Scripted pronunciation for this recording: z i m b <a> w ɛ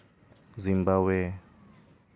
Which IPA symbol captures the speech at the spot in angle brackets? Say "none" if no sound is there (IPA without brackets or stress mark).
a